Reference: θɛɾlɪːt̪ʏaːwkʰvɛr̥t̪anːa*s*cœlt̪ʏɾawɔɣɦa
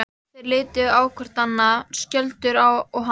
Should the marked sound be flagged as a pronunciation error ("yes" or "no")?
no